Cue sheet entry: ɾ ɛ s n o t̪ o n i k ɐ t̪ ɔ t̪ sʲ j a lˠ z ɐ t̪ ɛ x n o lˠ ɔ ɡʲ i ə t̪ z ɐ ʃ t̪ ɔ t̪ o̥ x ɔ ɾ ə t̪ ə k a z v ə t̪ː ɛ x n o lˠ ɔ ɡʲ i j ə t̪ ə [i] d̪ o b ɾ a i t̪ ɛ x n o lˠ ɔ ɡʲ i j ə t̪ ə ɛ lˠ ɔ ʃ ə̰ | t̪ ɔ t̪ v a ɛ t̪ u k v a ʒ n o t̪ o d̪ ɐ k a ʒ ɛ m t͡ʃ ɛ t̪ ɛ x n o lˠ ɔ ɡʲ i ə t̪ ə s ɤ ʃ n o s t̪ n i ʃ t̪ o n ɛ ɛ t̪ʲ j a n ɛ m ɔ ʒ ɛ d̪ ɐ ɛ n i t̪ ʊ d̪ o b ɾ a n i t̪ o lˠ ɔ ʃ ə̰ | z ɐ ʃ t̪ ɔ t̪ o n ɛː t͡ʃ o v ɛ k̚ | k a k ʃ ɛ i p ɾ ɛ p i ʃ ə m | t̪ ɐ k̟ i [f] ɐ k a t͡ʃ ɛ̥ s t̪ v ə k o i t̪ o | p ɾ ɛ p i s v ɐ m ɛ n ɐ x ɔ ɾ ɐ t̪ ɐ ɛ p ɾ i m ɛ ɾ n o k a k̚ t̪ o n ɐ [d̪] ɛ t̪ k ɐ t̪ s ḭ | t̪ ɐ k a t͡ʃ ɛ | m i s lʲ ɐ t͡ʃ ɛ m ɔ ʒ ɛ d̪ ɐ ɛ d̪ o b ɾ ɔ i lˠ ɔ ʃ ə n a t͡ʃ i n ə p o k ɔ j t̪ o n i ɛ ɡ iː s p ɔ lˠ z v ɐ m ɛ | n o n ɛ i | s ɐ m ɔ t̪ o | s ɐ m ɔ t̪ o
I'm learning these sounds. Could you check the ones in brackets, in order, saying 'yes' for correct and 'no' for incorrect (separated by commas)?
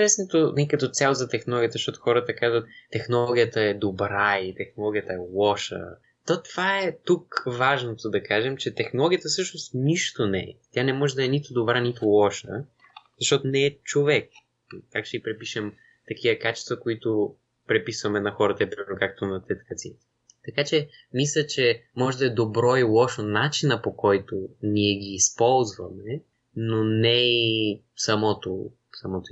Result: no, no, no